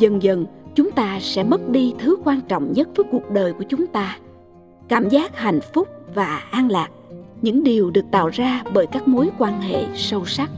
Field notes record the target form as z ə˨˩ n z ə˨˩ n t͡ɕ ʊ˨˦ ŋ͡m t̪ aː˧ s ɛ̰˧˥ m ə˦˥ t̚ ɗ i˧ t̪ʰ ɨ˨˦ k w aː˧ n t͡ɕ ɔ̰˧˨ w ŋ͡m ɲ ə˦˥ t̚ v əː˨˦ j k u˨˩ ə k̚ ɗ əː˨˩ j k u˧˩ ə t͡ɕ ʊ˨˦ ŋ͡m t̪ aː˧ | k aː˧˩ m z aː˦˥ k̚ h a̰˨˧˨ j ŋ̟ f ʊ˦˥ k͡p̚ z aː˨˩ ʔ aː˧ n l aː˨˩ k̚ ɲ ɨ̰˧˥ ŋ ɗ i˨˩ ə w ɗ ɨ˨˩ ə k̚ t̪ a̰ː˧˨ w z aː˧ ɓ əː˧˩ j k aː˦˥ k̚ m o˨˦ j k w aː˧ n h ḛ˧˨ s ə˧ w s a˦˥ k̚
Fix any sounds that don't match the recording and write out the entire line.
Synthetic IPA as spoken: z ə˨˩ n z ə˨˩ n t͡ɕ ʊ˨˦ ŋ͡m t̪ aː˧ s ɛ̰˧˥ m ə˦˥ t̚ ɗ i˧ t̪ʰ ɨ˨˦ k w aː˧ n t͡ɕ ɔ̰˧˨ w ŋ͡m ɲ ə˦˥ t̚ v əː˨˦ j k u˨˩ ə k̚ ɗ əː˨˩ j k u˧˩ ə t͡ɕ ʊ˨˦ ŋ͡m t̪ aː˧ | k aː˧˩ m z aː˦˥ k̚ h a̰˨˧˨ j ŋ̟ f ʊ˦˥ k͡p̚ v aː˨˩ ʔ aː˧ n l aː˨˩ k̚ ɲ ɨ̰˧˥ ŋ ɗ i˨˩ ə w ɗ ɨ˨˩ ə k̚ t̪ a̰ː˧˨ w z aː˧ ɓ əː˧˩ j k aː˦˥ k̚ m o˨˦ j k w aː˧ n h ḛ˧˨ s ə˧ w s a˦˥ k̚